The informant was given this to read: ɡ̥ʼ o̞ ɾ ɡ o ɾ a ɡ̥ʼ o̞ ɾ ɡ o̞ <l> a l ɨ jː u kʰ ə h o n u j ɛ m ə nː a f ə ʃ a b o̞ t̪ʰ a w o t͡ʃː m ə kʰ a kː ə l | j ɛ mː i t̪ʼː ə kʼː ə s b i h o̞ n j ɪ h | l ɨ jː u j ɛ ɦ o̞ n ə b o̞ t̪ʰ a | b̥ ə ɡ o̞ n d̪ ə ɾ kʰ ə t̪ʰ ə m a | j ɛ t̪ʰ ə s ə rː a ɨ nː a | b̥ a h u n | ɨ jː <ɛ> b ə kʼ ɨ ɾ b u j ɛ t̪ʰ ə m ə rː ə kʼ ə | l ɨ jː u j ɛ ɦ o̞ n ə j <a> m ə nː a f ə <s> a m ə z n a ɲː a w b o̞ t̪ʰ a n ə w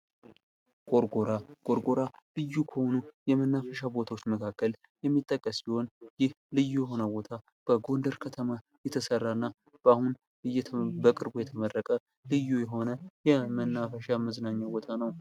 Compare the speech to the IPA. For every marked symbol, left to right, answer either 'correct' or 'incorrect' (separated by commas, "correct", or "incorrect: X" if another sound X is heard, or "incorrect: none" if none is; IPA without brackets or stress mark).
incorrect: ɾ, correct, incorrect: ɛ, incorrect: ʃ